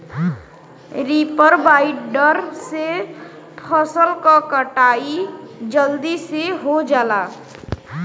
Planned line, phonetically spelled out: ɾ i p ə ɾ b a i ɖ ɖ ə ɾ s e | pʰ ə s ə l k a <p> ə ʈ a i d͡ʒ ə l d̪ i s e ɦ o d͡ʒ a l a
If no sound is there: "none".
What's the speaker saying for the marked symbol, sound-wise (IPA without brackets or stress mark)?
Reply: k